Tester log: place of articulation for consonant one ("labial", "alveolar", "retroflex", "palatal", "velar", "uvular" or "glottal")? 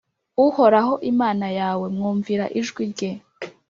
glottal